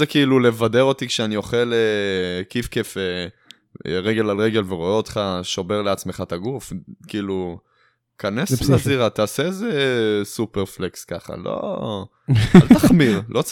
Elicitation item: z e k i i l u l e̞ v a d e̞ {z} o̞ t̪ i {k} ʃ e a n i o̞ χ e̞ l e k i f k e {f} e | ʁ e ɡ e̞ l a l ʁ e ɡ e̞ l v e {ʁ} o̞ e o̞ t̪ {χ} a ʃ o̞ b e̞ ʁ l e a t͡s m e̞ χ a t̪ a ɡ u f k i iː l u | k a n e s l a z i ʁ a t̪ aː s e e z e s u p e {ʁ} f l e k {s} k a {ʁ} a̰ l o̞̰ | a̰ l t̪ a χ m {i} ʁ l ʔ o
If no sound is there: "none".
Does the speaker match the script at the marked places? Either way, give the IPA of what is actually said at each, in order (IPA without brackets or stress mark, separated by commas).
ʁ, k, f, ʁ, χ, ʁ, s, χ, i